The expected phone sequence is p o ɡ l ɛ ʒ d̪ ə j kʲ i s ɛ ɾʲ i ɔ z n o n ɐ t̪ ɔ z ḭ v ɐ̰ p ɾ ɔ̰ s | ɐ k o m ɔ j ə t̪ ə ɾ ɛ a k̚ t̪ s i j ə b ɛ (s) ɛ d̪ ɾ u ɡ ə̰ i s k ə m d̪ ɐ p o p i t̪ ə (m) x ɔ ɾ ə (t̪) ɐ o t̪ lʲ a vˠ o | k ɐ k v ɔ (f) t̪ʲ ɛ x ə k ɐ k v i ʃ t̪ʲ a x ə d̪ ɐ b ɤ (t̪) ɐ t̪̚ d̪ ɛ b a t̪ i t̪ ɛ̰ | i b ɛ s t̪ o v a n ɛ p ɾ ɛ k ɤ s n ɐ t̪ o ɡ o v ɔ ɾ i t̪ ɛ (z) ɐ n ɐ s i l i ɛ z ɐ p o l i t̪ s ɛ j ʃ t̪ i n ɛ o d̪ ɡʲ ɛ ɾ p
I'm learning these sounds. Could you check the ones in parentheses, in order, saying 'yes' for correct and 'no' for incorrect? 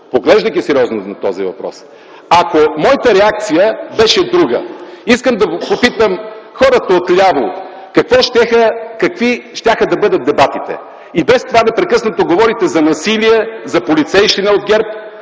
no, yes, yes, no, no, yes

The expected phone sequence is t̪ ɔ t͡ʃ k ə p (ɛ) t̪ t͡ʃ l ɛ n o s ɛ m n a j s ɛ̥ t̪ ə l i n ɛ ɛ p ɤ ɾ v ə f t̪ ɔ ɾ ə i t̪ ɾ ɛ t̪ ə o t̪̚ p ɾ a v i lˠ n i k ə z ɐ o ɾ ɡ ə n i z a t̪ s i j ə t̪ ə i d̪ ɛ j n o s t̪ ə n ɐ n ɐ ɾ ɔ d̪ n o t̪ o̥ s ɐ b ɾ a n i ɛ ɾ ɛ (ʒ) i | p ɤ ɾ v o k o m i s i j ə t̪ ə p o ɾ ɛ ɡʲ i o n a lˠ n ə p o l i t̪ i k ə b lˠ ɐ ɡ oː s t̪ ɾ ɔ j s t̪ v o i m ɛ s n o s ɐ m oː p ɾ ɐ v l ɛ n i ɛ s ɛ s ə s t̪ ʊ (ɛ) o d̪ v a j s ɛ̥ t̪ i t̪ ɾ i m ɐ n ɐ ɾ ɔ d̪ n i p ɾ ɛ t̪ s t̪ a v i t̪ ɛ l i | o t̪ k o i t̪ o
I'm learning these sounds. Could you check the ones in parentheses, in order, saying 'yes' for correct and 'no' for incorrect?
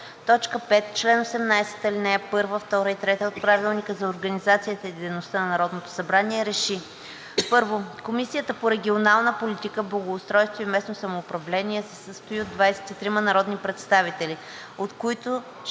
yes, no, no

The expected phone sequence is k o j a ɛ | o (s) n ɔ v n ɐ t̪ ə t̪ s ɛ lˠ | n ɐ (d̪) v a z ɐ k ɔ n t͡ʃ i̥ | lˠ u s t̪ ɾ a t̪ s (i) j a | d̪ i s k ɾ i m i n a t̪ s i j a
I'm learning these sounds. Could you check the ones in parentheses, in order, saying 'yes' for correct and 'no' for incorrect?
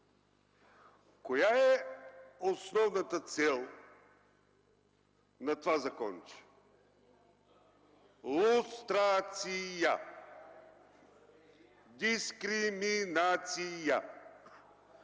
yes, no, yes

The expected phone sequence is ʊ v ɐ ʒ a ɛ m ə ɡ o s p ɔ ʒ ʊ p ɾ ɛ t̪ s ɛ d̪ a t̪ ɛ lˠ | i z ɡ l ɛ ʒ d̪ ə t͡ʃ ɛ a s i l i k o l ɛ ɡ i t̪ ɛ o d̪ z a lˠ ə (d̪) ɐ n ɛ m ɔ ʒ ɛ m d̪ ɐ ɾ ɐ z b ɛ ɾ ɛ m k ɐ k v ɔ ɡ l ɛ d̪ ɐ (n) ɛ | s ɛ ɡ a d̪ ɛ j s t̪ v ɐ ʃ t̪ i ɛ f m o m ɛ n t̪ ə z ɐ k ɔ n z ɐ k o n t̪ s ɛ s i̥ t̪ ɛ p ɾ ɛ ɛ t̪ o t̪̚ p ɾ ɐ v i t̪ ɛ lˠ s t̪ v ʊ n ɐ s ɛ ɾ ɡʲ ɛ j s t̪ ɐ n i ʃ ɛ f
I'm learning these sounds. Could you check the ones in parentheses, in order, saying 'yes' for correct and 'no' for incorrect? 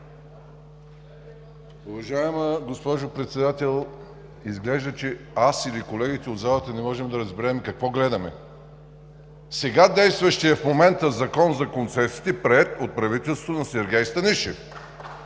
no, no

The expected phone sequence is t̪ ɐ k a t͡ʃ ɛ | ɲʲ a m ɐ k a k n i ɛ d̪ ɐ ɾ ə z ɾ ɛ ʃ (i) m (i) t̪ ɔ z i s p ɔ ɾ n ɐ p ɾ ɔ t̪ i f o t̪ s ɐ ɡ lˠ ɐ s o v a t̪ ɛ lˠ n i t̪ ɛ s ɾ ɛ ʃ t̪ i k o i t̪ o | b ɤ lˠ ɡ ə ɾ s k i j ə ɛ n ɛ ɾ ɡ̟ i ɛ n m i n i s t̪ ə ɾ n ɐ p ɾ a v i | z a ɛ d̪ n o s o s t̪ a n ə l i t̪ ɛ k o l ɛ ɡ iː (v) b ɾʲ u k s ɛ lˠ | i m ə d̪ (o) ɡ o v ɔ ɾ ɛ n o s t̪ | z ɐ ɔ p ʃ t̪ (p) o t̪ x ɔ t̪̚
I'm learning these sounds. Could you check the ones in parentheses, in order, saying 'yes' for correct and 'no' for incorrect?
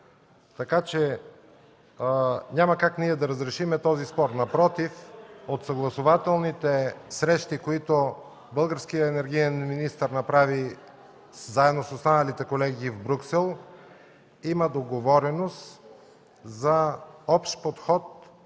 yes, no, yes, yes, yes

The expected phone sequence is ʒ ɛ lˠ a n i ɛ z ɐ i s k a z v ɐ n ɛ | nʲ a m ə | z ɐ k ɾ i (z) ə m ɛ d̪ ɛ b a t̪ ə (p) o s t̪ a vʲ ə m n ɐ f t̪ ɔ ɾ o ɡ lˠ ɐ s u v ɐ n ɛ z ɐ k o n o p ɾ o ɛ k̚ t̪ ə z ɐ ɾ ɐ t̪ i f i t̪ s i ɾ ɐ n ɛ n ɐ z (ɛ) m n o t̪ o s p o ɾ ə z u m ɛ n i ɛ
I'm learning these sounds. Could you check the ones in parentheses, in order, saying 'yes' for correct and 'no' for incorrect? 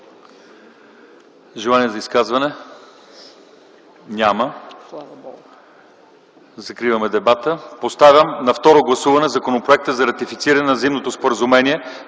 no, yes, no

